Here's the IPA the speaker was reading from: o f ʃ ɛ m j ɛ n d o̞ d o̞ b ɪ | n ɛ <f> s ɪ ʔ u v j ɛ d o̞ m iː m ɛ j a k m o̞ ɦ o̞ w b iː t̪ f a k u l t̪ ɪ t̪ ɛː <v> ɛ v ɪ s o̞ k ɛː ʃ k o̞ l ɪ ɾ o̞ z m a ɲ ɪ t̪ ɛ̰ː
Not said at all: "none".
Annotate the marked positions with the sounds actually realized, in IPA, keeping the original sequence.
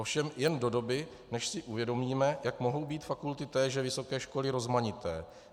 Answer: ʃ, ʒ

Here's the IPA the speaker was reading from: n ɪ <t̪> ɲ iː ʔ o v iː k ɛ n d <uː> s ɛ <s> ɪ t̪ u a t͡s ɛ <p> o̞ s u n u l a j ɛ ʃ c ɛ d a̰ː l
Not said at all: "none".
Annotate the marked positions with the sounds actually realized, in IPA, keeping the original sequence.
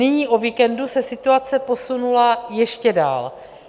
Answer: none, u, s, p

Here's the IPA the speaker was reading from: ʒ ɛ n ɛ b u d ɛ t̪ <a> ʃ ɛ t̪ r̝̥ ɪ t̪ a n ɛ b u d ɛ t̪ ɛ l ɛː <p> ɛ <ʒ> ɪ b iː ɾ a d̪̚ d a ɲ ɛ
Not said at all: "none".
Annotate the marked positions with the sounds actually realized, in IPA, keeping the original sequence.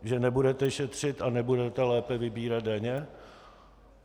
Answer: ɛ, p, v

